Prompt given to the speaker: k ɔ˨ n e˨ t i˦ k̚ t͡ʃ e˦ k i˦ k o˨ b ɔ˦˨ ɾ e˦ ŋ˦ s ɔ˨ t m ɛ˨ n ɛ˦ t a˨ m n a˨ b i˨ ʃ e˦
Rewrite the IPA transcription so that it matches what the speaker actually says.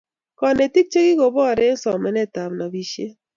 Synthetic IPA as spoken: k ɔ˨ n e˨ t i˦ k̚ t͡ʃ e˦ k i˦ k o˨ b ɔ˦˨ ɾ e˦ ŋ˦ s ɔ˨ m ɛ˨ n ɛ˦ t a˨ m n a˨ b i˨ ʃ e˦

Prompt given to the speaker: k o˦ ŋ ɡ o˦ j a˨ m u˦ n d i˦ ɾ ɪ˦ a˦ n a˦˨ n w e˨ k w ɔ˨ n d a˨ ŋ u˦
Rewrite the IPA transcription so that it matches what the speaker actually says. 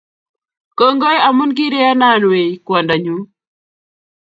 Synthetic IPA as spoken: k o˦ ŋ ɡ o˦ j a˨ m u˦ n ɡ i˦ ɾ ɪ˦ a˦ n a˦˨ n w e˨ k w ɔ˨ n d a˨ ɲ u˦

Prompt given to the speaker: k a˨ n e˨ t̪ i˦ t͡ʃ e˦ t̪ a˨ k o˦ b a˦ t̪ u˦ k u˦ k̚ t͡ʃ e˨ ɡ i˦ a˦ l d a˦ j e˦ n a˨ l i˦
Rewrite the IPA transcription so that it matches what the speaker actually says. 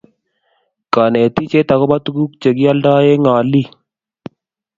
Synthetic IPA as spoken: k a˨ n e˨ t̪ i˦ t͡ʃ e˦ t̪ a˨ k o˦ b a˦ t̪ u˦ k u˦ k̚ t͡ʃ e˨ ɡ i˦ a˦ l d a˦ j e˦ ŋ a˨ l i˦

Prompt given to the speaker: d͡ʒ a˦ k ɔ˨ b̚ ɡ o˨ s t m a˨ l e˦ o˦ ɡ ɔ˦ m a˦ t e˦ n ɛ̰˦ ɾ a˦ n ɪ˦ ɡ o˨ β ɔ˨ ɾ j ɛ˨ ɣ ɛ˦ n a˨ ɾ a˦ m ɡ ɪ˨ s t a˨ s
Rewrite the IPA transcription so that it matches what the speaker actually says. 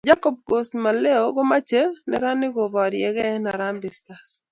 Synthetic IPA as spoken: d͡ʒ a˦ k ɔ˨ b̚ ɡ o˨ s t m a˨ l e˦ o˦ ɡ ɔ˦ m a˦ t͡ʃ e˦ n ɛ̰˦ ɾ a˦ n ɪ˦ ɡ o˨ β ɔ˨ ɾ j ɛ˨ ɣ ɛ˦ n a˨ ɾ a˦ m b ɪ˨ s t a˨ s

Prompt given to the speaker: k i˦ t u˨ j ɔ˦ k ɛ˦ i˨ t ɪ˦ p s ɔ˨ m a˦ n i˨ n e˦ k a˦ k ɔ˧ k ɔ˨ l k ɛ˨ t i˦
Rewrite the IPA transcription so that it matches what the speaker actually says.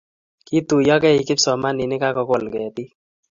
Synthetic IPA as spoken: k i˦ t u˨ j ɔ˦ k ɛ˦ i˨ k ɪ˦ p s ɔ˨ m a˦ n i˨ n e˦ k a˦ k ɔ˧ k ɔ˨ l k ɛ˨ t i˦

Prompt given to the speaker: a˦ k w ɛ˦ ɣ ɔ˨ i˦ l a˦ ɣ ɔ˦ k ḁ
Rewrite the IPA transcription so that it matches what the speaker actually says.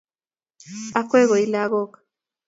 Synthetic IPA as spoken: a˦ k w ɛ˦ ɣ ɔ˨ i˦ l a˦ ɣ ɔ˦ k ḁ

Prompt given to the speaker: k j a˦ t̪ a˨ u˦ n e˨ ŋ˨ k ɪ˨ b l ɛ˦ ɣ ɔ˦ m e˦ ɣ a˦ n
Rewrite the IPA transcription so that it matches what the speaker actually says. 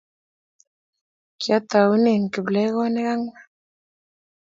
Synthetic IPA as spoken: k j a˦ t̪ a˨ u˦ n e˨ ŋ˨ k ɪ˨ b l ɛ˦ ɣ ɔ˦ n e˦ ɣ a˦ ŋ

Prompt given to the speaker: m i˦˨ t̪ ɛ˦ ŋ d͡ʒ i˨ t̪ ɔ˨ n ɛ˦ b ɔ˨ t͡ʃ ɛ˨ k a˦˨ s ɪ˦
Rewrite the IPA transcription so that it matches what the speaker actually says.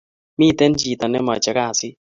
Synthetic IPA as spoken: m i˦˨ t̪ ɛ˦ n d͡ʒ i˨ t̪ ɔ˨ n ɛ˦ m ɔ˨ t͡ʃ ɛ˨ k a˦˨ s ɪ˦

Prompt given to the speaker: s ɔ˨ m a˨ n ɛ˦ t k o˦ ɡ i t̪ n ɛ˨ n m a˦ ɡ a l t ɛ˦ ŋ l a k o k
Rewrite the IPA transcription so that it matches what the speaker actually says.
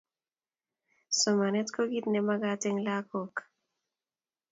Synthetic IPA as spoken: s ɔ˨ m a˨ n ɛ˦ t k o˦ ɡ i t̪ n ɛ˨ m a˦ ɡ a t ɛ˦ ŋ l a k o k

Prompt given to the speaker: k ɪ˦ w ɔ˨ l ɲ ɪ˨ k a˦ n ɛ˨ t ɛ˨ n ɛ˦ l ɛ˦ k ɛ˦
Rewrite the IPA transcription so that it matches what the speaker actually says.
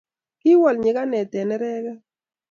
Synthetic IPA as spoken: k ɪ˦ w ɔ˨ l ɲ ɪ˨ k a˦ n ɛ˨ t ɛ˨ n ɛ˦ ɾ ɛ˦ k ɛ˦

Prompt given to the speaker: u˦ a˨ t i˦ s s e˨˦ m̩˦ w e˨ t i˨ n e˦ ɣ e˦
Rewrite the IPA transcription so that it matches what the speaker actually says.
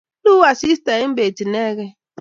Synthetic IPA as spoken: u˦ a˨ s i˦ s t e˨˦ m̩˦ b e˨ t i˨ n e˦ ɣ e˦

